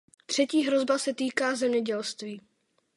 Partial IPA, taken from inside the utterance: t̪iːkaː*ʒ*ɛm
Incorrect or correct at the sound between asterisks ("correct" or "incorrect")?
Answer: incorrect